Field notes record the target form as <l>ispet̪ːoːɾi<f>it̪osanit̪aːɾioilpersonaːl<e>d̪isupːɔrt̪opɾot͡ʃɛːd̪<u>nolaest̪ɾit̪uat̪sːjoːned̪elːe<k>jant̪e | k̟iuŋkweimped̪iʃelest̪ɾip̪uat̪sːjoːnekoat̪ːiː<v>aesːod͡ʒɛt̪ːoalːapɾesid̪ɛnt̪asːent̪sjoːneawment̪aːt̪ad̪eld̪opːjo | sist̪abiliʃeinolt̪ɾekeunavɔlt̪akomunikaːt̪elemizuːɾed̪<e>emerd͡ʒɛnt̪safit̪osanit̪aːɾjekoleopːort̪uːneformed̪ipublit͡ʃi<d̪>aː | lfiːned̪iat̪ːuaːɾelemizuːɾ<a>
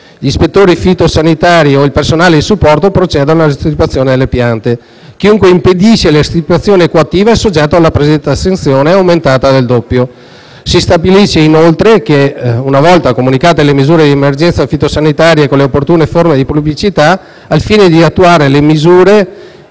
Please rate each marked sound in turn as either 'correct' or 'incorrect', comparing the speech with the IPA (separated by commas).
incorrect, correct, correct, incorrect, incorrect, correct, incorrect, incorrect, incorrect